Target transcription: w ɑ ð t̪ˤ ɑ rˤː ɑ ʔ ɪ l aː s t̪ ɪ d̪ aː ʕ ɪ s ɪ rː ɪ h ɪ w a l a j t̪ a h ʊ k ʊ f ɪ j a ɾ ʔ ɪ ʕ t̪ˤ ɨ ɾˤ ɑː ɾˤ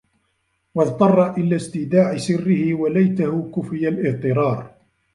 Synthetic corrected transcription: w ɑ ð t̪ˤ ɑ rˤː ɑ ʔ ɪ l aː s t̪ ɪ d̪ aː ʕ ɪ s ɪ rː ɪ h ɪ w a l a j t̪ a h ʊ k ʊ f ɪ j a l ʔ ɪ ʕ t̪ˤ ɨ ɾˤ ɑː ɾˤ